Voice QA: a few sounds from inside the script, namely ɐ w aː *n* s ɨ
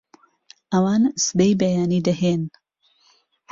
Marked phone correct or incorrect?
correct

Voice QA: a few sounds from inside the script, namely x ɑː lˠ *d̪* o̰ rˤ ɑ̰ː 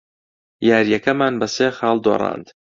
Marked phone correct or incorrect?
correct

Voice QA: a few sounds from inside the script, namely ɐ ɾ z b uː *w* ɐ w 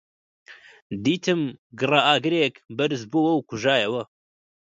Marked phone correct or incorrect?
correct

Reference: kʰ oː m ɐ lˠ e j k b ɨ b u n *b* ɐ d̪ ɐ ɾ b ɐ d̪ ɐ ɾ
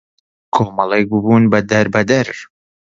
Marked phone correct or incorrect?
correct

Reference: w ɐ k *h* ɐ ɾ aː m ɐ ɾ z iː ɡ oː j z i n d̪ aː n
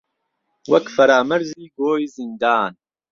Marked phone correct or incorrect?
incorrect: f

